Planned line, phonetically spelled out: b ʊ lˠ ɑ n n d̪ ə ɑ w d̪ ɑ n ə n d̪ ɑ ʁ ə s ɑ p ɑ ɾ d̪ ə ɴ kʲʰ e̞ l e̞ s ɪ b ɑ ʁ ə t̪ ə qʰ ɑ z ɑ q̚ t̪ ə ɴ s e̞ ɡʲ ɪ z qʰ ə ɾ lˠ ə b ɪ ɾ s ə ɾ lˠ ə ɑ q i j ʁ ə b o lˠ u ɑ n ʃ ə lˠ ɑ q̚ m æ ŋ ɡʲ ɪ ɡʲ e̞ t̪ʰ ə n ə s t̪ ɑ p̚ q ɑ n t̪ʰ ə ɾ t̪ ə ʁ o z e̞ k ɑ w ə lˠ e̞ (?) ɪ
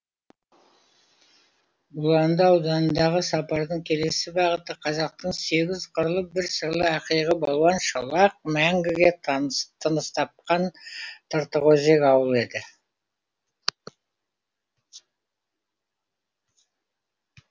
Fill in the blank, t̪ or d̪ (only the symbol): d̪